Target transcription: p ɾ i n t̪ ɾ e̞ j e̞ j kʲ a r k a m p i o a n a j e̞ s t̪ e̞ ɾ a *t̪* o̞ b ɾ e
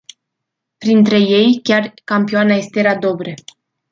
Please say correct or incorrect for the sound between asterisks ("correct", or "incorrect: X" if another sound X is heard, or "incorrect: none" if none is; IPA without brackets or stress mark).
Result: incorrect: d̪